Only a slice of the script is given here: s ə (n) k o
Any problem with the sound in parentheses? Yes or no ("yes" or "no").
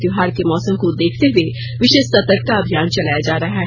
yes